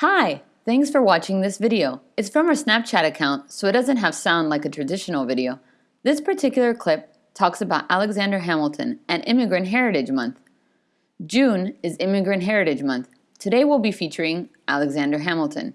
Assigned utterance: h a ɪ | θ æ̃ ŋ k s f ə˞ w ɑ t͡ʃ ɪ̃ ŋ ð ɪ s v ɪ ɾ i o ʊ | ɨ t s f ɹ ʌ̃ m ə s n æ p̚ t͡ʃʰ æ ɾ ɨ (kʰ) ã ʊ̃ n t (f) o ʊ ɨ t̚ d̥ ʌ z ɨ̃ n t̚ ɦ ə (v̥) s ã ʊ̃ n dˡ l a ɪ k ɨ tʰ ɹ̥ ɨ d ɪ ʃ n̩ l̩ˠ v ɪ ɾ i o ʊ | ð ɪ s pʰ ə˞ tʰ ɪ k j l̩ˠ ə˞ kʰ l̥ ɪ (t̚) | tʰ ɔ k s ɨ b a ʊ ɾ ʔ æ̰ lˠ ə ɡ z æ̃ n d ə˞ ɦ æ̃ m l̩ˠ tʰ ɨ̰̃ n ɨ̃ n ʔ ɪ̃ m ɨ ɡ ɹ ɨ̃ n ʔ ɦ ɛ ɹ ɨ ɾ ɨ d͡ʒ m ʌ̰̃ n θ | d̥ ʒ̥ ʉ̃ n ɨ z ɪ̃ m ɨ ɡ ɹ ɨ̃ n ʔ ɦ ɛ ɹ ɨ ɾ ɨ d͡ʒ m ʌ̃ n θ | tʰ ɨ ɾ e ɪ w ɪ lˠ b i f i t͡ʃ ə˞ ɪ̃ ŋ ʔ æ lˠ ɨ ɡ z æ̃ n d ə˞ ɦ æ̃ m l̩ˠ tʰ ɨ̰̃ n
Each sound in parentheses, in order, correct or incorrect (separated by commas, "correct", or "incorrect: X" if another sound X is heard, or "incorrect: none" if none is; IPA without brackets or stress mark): correct, incorrect: s, correct, incorrect: p̚